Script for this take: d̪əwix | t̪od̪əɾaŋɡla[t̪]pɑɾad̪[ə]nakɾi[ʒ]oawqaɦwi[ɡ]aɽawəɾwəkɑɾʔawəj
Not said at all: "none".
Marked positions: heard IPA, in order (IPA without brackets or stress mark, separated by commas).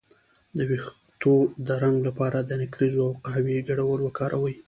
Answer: none, ə, z, ɡ